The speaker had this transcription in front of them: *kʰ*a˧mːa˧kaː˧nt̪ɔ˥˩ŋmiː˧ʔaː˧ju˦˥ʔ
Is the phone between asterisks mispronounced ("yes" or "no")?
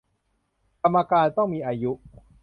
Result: yes